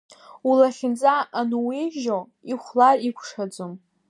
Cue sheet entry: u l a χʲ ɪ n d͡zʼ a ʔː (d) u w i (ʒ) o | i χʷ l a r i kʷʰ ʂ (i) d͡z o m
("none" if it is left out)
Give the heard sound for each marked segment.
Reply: n, ʒ, a

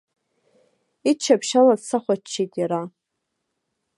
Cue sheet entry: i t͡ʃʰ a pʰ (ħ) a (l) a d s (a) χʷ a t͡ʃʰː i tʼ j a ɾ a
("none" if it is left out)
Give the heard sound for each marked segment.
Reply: ʃ, l, a

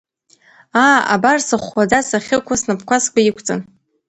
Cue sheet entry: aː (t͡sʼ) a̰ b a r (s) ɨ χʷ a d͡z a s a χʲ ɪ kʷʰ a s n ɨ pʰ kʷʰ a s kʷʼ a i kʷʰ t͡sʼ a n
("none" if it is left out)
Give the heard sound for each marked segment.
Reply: none, s

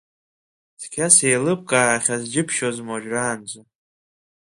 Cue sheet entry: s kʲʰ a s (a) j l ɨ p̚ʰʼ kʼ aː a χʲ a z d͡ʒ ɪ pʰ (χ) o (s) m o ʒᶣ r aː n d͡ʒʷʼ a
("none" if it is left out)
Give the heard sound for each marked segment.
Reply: e, ʃ, z

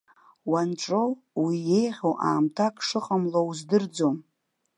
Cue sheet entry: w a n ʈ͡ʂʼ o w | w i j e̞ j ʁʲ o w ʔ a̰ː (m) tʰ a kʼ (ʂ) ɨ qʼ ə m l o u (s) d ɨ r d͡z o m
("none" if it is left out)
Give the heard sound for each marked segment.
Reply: m, ʂ, z

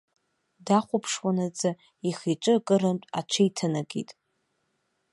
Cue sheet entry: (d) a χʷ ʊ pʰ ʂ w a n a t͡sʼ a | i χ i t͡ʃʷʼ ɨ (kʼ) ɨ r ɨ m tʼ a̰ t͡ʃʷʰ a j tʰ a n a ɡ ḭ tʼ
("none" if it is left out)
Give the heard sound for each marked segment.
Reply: d, kʼ

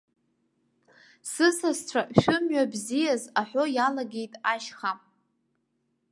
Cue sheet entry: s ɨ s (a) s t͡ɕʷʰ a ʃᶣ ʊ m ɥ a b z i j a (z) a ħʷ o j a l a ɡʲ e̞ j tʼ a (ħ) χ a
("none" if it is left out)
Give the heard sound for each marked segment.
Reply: a, z, ʃ

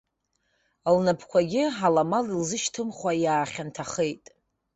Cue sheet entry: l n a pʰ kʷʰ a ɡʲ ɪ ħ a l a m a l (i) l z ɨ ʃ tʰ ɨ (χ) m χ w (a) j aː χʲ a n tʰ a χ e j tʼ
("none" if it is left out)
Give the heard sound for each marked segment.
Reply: i, none, a

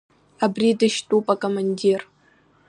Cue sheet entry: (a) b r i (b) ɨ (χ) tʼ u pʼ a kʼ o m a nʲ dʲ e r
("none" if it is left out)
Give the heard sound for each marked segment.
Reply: a, d, ʃ

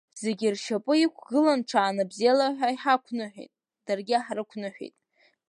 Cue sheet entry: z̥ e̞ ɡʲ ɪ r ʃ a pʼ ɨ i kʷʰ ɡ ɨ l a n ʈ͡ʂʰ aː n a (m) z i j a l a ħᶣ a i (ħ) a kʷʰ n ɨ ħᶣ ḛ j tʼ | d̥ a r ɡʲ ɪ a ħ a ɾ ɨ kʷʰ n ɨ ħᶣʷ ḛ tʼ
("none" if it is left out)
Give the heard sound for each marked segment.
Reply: b, ħ

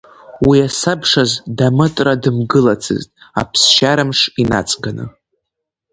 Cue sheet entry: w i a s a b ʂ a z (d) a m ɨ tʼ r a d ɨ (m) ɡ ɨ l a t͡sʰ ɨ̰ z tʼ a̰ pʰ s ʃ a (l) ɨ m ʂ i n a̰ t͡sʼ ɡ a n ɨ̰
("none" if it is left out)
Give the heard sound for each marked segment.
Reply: d, m, ɾ

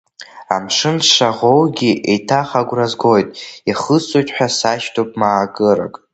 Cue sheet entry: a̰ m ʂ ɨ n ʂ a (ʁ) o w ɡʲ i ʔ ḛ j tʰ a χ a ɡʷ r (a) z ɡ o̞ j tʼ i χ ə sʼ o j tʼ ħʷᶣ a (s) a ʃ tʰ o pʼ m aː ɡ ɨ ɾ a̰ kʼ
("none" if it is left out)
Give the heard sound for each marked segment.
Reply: ʁ, a, s

